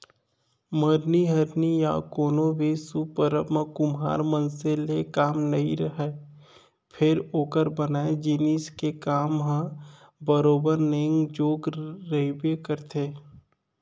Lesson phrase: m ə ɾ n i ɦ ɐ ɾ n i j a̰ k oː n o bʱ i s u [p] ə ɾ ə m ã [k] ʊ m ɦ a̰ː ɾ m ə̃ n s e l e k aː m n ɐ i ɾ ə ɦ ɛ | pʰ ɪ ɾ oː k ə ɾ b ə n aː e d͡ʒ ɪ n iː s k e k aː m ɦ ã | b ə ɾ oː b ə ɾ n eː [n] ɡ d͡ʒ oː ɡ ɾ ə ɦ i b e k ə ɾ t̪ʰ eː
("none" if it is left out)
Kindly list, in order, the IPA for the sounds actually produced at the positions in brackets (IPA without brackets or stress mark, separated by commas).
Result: p, k, ŋ